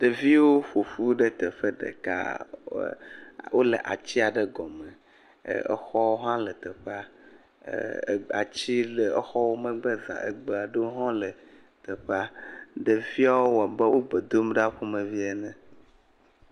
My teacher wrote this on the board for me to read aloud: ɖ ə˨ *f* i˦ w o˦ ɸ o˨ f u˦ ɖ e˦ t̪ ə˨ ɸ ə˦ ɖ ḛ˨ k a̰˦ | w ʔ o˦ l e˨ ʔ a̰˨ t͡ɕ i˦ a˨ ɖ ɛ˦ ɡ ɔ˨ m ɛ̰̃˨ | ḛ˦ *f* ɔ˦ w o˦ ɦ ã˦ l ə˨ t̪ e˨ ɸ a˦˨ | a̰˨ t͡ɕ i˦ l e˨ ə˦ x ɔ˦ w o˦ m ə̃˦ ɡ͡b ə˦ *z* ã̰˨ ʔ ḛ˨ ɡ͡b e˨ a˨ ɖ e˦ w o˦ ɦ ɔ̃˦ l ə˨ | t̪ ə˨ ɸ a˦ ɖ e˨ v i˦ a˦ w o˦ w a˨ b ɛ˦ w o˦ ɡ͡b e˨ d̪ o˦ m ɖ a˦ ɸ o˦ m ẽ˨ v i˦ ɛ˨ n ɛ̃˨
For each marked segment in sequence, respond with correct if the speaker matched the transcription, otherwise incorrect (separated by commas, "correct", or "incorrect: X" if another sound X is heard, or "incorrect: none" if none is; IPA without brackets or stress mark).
incorrect: v, incorrect: x, correct